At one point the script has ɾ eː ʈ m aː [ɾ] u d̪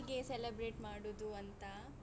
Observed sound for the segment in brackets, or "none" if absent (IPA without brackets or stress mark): ɽ